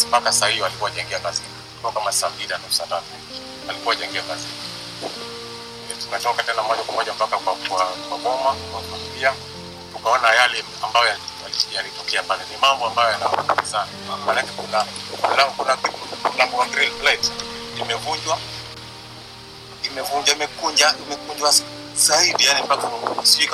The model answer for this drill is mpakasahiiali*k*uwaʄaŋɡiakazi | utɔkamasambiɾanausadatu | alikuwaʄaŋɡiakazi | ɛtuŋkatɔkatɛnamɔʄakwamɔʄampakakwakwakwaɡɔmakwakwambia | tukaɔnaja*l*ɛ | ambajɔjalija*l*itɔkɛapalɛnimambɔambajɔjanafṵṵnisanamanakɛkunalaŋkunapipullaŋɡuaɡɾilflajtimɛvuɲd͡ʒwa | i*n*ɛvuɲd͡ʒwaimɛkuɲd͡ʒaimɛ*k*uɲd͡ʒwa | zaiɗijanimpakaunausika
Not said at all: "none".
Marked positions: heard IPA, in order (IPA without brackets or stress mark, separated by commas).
k, l, l, m, k